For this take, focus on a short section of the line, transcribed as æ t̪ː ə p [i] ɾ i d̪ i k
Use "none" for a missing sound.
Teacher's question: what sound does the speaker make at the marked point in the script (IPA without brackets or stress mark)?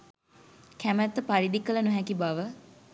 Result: a